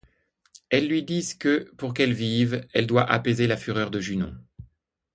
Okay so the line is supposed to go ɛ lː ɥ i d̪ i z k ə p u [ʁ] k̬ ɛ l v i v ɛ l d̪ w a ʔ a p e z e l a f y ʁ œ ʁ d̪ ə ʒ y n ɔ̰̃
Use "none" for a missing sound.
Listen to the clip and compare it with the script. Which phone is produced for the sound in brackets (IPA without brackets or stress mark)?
ʁ